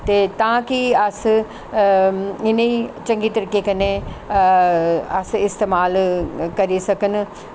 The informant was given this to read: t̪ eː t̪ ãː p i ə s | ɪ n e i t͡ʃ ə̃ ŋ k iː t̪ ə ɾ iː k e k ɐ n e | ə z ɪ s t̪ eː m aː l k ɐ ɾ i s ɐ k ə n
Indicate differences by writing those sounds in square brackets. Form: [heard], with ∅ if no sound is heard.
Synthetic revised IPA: t̪ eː t̪ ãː [k] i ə s | ɪ n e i t͡ʃ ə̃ ŋ [ɡ] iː t̪ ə ɾ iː k e k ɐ n e | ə [s] ɪ s t̪ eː m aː l k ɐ ɾ i s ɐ k ə n